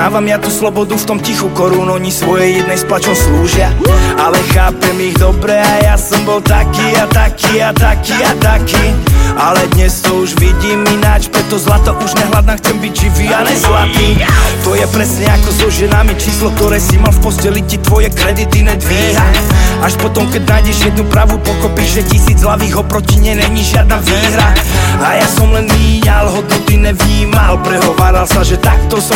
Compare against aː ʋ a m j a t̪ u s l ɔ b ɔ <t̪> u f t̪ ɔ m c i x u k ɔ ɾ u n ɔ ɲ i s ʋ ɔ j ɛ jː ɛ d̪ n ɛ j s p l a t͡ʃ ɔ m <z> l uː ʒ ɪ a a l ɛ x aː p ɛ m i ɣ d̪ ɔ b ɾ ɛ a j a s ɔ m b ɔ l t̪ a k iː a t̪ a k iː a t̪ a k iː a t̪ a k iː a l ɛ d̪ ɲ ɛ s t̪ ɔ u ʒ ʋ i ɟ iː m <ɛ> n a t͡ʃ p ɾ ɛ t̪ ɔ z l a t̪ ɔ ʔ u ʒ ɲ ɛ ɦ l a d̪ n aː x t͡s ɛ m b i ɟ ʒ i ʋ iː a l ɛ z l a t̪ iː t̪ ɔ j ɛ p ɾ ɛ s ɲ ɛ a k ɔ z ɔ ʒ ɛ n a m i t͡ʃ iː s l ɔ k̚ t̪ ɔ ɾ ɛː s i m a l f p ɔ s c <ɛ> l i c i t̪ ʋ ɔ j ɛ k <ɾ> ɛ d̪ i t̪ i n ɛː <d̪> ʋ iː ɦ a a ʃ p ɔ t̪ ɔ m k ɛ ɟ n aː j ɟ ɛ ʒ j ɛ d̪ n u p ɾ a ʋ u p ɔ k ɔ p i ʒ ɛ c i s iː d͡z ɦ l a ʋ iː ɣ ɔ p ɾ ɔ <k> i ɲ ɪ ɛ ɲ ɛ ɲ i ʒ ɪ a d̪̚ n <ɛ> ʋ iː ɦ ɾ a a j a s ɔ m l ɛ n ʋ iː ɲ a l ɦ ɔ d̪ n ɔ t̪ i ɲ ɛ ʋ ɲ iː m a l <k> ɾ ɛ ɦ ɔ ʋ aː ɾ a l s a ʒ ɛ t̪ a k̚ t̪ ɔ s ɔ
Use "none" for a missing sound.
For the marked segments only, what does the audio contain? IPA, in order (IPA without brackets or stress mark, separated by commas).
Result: d̪, s, i, ɛ, ɾ, d̪, c, a, p